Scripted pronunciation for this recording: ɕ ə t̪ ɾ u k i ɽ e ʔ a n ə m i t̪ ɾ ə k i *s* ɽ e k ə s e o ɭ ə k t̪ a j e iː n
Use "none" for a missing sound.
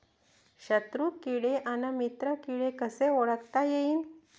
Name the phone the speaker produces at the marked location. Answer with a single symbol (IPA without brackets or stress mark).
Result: none